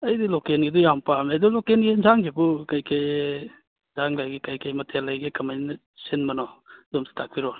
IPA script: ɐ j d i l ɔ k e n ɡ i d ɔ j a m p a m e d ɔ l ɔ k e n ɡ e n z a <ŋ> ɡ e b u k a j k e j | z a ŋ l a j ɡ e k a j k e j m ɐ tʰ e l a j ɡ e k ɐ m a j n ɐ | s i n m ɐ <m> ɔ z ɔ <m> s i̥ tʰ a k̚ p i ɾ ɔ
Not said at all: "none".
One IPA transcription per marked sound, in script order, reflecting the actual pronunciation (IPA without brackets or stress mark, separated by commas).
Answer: ŋ, n, m